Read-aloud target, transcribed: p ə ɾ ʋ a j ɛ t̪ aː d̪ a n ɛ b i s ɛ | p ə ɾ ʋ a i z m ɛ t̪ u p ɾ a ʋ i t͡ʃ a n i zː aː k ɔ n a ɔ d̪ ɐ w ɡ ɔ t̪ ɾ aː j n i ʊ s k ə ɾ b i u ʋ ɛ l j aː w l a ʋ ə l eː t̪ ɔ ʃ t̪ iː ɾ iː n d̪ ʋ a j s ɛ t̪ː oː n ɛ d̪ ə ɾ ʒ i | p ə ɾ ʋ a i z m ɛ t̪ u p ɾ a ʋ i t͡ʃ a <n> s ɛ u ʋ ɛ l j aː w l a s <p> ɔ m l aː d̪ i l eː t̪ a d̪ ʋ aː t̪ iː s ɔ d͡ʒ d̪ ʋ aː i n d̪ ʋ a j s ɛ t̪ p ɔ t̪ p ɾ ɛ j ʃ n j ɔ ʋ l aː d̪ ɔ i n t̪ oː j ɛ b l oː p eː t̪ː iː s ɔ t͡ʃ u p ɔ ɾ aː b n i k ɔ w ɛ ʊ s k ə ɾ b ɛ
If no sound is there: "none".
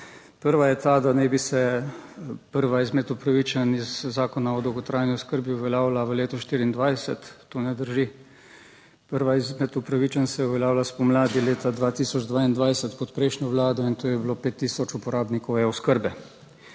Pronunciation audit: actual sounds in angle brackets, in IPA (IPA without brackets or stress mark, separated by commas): n, p